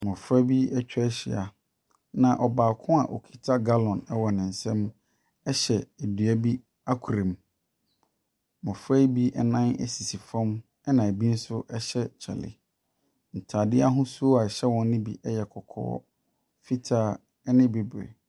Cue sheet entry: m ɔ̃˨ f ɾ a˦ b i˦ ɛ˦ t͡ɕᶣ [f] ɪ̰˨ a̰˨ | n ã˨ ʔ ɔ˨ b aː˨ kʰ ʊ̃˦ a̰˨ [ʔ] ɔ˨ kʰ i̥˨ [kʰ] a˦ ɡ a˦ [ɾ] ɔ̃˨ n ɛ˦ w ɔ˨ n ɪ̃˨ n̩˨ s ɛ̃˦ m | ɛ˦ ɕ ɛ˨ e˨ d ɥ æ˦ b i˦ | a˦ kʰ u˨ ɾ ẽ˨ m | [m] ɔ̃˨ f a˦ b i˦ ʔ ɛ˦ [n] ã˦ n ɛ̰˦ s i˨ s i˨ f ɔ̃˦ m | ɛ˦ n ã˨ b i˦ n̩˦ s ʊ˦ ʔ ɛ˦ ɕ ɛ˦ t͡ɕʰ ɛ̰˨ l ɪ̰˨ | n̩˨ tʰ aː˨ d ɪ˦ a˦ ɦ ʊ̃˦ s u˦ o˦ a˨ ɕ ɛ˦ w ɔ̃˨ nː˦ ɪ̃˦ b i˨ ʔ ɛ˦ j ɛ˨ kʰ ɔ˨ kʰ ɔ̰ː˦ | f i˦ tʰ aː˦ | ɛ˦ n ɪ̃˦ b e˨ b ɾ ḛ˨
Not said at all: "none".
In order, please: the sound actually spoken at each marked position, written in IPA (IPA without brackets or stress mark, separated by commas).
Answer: ɕ, ʔ, tʰ, l, m, n